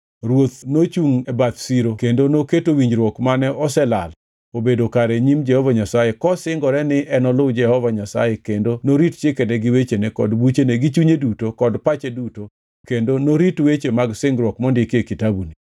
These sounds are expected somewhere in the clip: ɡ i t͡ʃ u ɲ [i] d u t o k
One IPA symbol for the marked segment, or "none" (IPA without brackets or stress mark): e